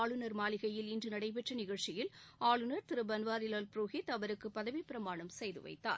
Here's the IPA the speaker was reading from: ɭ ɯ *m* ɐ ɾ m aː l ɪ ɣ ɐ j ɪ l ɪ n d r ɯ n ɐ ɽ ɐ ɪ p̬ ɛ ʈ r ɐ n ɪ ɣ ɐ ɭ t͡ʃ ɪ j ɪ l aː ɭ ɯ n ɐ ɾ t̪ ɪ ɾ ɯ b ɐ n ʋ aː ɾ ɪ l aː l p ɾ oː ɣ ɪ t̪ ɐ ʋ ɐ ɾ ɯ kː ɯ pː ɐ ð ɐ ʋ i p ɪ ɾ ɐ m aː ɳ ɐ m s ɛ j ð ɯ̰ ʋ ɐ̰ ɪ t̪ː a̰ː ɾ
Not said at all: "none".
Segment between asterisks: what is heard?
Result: n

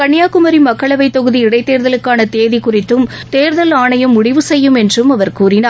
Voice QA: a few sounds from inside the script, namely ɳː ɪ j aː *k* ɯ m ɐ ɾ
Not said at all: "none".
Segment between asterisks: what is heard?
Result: k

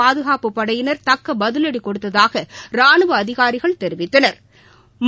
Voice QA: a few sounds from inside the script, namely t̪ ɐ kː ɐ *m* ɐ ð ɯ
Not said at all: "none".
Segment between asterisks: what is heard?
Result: b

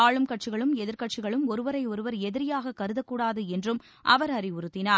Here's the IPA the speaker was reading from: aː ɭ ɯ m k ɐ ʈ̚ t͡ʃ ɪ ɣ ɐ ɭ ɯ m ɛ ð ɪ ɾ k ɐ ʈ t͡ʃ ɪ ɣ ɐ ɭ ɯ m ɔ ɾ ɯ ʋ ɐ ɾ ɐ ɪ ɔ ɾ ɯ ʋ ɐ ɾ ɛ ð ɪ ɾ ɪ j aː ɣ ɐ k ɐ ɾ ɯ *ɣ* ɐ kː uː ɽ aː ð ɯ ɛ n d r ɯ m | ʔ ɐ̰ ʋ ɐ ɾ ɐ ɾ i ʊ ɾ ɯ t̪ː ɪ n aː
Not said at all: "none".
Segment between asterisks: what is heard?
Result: ð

